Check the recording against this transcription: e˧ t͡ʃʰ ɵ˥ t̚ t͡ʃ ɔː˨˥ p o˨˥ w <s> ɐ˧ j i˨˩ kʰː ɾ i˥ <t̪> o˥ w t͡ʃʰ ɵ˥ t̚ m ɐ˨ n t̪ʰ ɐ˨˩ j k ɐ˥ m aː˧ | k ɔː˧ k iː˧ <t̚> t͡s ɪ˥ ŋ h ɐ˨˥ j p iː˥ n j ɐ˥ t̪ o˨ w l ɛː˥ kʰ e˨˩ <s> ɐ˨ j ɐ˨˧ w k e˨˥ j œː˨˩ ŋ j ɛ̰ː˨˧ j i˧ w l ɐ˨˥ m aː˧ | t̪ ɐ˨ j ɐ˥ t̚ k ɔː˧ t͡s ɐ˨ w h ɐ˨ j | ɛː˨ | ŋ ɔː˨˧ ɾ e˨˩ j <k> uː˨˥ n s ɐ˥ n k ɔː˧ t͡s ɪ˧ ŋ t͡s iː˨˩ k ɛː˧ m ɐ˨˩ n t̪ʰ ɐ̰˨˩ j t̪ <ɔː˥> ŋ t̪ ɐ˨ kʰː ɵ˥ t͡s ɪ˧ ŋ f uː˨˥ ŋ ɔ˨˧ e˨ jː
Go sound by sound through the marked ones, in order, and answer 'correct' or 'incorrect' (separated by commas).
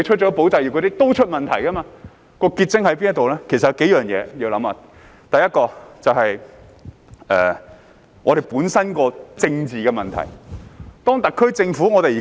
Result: incorrect, correct, correct, correct, incorrect, correct